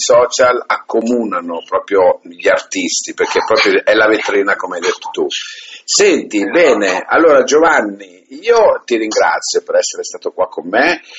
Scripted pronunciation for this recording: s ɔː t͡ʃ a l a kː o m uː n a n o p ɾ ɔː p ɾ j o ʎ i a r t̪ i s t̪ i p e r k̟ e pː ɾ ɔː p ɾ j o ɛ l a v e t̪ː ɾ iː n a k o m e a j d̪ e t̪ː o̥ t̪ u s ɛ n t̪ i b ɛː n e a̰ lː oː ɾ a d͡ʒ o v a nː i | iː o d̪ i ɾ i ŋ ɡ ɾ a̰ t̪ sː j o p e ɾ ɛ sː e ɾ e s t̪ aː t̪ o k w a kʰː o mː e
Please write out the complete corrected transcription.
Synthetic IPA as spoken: s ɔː t͡ʃ a l a kː o m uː n a n o p ɾ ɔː p ɾ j o ʎ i a r t̪ i s t̪ i p e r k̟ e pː ɾ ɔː p ɾ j o ɛ l a v e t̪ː ɾ iː n a k o m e a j d̪ e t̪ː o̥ t̪ u s ɛ n t̪ i b ɛː n e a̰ lː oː ɾ a d͡ʒ o v a nː i | iː o t̪ i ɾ i ŋ ɡ ɾ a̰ t̪ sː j o p e ɾ ɛ sː e ɾ e s t̪ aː t̪ o k w a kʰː o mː e